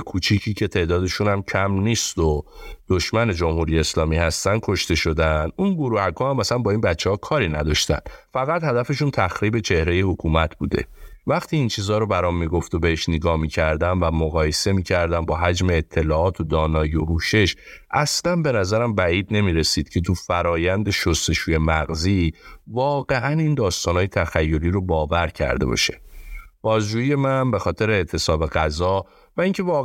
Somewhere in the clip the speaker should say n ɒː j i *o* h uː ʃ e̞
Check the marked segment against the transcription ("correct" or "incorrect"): correct